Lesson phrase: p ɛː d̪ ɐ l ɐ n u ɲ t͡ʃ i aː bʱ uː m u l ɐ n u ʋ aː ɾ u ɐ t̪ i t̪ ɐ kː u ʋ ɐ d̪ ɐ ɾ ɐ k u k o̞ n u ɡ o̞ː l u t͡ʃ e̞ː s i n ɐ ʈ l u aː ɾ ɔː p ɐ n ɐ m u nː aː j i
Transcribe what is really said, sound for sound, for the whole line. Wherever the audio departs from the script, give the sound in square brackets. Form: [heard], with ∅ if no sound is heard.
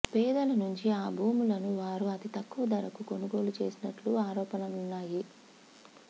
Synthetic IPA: p ɛː d̪ ɐ l ɐ n u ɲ t͡ʃ i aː bʱ uː m u l ɐ n u ʋ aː ɾ u ɐ t̪ i t̪ ɐ kː u ʋ ɐ d̪ ɐ ɾ ɐ k u k o̞ n u ɡ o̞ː l u t͡ʃ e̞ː s i n ɐ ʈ l u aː ɾ ɔː p ɐ n ɐ m u nː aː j i